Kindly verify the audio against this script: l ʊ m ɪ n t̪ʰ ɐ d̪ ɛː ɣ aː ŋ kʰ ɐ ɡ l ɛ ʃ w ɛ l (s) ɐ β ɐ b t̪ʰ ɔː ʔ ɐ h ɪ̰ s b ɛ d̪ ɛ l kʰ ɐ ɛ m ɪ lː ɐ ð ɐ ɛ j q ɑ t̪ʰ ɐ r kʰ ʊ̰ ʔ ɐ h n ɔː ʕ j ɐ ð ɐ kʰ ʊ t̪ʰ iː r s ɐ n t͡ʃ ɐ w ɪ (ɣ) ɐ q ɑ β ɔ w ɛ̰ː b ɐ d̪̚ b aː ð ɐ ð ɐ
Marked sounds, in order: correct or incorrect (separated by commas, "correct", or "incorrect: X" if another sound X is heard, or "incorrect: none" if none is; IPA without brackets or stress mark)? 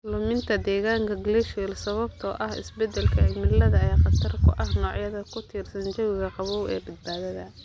correct, correct